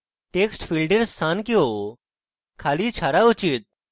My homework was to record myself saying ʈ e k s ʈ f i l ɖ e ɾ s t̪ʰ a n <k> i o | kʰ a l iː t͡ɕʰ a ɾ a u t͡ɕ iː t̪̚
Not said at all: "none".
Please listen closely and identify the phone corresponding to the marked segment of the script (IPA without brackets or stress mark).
k